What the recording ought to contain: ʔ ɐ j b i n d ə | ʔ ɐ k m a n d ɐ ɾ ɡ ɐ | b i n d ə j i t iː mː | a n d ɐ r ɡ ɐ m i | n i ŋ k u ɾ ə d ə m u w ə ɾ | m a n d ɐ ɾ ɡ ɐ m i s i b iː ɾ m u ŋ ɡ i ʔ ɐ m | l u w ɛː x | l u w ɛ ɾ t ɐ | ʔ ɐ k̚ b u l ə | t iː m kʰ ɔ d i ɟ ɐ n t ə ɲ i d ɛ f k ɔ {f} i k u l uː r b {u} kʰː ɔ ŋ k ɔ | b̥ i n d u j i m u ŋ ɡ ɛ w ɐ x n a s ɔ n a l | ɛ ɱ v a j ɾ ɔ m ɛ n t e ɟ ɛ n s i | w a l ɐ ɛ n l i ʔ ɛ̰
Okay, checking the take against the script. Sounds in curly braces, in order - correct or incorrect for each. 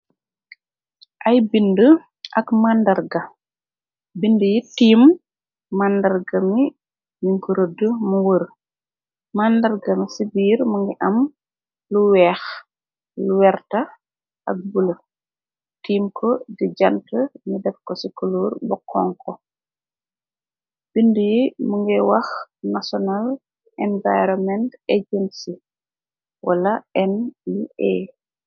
incorrect: s, incorrect: ɔ

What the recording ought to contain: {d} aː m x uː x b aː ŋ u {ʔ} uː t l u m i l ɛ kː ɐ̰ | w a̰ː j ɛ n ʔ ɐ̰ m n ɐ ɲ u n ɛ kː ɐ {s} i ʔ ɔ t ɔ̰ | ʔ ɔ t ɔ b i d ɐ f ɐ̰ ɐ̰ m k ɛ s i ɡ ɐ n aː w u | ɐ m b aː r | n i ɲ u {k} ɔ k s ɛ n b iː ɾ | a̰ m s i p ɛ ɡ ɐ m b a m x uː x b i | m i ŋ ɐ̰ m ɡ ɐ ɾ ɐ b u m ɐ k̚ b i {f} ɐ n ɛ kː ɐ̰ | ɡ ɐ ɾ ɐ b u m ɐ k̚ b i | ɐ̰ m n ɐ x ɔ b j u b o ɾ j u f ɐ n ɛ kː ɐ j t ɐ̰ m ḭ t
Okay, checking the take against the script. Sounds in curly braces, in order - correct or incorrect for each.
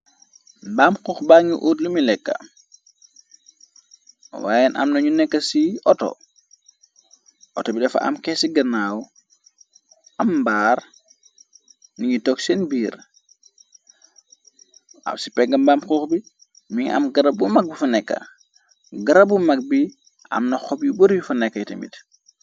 incorrect: b, correct, correct, incorrect: t, correct

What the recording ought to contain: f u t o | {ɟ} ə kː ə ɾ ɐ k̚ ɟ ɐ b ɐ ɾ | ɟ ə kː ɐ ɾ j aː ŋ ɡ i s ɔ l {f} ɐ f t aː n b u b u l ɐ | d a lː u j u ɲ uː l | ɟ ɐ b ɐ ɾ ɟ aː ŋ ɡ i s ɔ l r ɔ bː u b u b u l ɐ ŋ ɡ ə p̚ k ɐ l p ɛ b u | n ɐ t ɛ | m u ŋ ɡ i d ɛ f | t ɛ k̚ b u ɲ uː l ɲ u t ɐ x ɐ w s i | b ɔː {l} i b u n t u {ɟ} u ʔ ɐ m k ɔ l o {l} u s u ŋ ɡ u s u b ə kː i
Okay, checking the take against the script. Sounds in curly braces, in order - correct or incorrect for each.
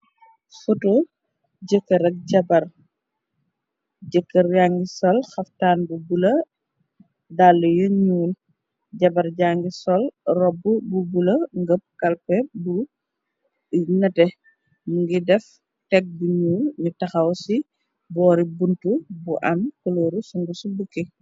correct, incorrect: x, incorrect: ɾ, incorrect: b, incorrect: ɾ

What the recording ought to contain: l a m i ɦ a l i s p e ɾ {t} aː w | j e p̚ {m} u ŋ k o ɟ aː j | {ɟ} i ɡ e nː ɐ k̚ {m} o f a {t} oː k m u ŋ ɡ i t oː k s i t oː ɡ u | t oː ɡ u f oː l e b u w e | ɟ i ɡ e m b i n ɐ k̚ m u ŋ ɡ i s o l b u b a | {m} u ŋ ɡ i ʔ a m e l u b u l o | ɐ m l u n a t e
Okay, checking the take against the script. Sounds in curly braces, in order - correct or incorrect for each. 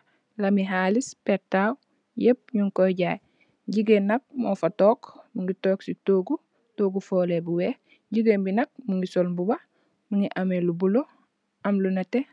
correct, incorrect: ɲ, correct, correct, correct, correct

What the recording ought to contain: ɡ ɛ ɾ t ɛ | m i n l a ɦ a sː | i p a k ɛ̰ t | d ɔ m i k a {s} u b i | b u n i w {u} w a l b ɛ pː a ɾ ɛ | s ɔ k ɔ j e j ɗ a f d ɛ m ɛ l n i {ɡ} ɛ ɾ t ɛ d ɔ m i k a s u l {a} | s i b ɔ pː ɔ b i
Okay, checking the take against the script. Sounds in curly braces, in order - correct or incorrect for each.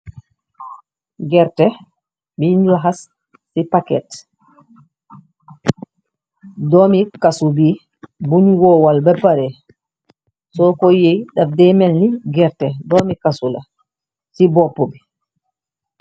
correct, incorrect: ɔ, correct, correct

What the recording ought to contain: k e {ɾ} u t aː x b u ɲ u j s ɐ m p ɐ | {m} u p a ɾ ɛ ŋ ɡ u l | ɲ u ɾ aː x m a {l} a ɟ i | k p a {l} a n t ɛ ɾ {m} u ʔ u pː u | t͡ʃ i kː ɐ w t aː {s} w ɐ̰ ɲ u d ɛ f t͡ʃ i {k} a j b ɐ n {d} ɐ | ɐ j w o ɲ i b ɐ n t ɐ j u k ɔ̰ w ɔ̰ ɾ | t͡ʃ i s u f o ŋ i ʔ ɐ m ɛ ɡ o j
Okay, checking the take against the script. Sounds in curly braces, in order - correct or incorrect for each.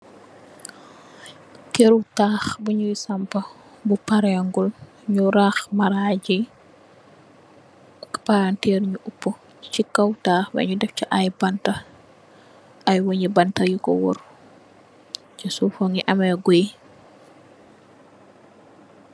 correct, incorrect: b, incorrect: ɾ, incorrect: ɾ, incorrect: ɲ, incorrect: x, incorrect: ʔ, incorrect: t

